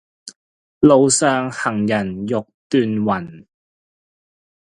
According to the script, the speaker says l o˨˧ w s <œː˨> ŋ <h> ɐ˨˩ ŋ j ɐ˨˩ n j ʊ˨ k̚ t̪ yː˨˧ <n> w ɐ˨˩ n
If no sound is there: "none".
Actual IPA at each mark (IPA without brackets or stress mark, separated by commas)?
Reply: œː˨, h, n